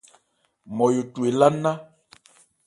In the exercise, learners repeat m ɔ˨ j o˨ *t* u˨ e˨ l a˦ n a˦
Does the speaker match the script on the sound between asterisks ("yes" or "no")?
yes